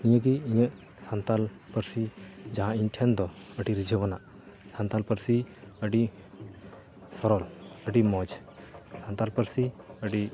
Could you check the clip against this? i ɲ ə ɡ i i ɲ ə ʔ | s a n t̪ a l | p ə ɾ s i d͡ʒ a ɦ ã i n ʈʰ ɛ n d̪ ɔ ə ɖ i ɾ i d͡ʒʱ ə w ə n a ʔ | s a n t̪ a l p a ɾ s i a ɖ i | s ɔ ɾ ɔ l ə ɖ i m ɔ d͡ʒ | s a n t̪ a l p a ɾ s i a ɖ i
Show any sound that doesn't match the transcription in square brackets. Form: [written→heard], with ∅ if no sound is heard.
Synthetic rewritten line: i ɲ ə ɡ i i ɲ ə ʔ | s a n t̪ a l | p ə ɾ s i d͡ʒ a ɦ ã i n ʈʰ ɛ n d̪ ɔ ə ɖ i ɾ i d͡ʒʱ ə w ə n a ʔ | s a n t̪ a l p [a→ə] ɾ s i [a→ə] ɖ i | s ɔ ɾ ɔ l ə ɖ i m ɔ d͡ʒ | s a n t̪ a l p [a→ə] ɾ s i [a→ə] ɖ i